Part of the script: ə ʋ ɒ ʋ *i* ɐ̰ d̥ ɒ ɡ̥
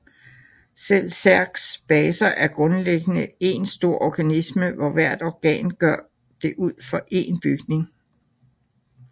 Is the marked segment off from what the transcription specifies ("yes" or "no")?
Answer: yes